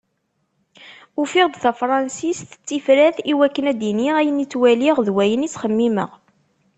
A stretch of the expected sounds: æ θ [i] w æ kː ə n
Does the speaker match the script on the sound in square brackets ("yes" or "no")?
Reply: yes